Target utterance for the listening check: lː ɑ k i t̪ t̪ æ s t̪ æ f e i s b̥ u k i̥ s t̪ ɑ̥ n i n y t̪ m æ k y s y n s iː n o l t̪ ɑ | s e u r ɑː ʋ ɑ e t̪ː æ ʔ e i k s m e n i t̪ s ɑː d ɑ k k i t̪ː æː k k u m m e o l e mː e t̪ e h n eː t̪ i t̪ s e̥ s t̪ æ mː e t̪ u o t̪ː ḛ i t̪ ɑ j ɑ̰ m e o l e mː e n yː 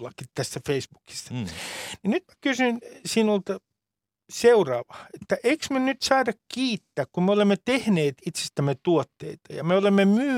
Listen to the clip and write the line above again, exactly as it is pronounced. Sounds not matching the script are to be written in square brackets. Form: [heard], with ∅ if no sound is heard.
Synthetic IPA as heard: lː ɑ k i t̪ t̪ æ s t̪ æ f e i s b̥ u k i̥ s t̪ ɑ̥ n i n y t̪ m æ k y s y n s iː n o l t̪ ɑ | s e u r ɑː ʋ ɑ e t̪ː æ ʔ e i k s m e n [y] t̪ s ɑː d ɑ k k [iː] t̪ː æː k k u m m e o l e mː e t̪ e h n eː t̪ i t̪ s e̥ s t̪ æ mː e t̪ u o t̪ː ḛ i t̪ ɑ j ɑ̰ m e o l e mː e [m] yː